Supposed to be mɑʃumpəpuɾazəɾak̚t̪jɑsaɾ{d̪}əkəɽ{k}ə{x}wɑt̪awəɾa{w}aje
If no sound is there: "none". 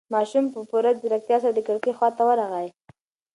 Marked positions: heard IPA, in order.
d̪, k, x, ɣ

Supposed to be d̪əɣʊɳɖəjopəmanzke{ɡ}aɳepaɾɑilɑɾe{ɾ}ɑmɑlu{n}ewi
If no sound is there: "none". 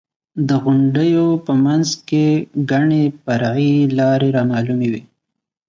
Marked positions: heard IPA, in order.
ɡ, ɾ, m

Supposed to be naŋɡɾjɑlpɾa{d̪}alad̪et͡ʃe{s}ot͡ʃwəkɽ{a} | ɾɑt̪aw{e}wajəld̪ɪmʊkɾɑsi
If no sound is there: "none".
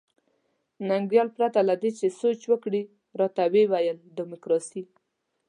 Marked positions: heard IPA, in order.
t̪, s, i, e

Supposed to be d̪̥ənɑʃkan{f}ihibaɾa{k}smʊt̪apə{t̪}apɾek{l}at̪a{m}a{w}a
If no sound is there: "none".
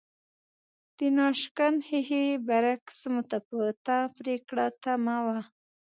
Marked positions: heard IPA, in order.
h, k, t̪, ɽ, m, w

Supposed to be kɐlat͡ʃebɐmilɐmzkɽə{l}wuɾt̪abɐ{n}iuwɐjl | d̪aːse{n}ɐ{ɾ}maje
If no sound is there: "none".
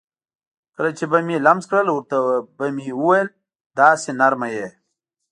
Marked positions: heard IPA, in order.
l, m, n, ɾ

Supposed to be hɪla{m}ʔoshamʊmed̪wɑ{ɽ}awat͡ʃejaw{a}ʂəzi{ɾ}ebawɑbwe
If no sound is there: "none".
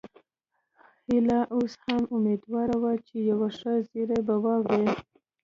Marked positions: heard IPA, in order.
none, ɾ, a, ɾ

